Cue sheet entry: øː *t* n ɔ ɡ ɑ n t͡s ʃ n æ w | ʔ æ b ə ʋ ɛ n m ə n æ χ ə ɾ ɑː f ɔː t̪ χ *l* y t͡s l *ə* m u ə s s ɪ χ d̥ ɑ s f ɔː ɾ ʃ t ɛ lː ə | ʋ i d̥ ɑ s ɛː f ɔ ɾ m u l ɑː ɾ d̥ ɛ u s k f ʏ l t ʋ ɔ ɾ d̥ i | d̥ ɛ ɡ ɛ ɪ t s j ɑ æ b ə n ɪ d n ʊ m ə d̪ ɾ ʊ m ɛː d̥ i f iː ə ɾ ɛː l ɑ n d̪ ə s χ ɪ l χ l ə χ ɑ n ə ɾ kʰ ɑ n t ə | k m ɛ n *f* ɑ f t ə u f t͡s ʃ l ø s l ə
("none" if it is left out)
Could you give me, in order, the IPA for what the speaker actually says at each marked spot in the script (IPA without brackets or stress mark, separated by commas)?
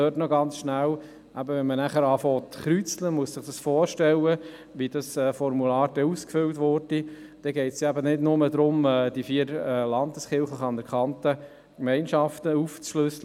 t, ɾ, ə, ʃ